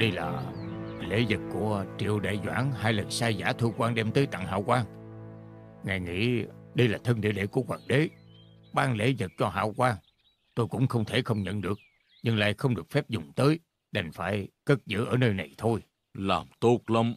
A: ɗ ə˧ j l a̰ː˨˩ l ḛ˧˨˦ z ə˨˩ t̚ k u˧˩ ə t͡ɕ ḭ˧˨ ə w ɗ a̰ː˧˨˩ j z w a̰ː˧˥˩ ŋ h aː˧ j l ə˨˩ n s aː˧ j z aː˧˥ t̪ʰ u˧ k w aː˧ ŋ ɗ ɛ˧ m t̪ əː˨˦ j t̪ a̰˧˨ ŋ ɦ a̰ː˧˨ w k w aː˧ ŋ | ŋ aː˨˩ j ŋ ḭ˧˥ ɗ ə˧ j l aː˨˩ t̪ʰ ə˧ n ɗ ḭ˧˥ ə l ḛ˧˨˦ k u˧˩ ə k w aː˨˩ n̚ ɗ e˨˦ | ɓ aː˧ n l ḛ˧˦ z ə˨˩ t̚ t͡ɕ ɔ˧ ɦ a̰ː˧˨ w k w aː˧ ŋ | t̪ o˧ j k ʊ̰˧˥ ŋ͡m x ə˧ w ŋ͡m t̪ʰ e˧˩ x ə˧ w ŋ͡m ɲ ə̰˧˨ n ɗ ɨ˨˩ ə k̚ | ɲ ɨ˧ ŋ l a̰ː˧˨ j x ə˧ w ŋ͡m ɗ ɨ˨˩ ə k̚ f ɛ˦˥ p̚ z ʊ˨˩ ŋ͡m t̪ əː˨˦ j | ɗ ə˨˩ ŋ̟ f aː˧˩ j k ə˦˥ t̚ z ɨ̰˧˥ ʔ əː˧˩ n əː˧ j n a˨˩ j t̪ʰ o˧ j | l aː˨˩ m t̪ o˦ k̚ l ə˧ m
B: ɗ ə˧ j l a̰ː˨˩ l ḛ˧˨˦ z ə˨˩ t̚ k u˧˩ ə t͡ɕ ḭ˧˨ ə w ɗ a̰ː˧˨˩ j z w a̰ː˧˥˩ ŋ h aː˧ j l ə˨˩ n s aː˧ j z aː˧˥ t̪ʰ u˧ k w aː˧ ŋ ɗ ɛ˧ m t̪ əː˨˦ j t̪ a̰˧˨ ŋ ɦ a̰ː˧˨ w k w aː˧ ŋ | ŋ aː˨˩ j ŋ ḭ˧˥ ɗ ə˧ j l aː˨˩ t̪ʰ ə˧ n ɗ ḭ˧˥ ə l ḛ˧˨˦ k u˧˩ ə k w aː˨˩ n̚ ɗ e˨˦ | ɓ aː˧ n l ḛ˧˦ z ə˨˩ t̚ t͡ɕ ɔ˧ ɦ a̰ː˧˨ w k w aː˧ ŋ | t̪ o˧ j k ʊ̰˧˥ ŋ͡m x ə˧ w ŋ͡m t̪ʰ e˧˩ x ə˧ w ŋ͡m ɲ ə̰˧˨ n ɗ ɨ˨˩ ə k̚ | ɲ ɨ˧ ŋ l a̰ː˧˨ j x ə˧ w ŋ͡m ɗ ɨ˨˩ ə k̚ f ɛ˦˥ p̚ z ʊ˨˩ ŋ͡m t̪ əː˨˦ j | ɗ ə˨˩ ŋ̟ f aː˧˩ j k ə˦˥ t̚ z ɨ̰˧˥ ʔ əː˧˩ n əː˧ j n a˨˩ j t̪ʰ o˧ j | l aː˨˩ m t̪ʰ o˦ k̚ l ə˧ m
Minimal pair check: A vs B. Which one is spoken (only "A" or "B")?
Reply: A